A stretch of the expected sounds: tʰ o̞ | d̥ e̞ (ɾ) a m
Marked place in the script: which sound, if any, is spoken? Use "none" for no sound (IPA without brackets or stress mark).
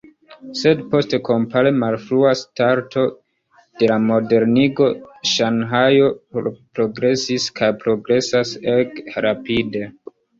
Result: l